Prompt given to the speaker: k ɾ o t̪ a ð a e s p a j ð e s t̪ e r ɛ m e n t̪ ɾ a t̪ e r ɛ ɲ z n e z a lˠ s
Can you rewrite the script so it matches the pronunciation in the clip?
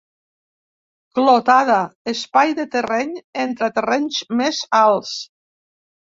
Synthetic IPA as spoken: k l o t̪ a ð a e s p a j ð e t̪ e r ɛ ɲ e n t̪ ɾ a t̪ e r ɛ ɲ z m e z a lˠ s